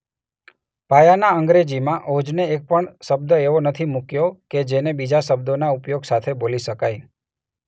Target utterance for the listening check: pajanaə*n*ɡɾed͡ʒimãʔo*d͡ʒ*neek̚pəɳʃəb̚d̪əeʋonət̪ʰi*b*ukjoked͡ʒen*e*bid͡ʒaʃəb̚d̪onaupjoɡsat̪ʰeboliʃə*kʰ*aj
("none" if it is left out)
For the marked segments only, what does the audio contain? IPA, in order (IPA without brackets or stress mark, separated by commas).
ŋ, d͡ʒ, m, e, k